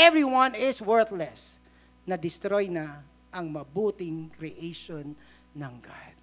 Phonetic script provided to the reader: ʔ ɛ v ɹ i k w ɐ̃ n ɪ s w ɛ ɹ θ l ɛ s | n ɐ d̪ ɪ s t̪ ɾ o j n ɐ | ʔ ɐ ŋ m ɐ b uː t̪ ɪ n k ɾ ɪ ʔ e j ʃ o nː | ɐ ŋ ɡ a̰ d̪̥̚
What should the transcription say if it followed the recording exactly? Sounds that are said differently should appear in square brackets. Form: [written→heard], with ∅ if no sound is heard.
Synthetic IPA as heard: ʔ ɛ v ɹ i [k→∅] w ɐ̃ n ɪ s w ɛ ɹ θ l ɛ s | n ɐ d̪ ɪ s t̪ ɾ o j n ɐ | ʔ ɐ ŋ m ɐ b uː t̪ ɪ [n→ŋ] k ɾ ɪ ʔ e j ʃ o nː | ɐ ŋ ɡ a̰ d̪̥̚